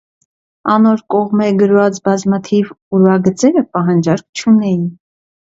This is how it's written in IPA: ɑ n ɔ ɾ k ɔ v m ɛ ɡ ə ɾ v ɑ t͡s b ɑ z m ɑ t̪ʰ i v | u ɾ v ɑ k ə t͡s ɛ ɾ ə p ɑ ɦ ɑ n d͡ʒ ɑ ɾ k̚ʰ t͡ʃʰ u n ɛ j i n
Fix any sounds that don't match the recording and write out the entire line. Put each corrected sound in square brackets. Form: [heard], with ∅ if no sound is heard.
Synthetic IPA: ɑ n ɔ ɾ k ɔ [ʁ] m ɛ ɡ ə ɾ v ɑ t͡s b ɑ z m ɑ t̪ʰ i v | u ɾ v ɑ [ɡ] ə t͡s ɛ ɾ ə p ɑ ɦ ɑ n d͡ʒ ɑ ɾ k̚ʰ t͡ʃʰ u n ɛ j i n